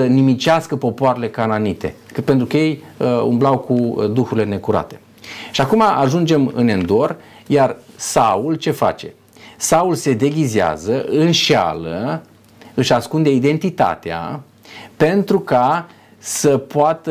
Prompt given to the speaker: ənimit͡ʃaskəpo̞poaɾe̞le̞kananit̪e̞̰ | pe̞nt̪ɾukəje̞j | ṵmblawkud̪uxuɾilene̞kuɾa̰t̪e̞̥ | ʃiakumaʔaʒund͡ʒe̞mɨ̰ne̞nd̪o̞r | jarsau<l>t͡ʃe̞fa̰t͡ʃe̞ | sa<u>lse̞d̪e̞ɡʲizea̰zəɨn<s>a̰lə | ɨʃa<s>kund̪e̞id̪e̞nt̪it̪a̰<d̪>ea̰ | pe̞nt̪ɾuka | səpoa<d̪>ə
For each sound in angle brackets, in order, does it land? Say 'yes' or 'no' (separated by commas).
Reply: yes, yes, no, yes, no, no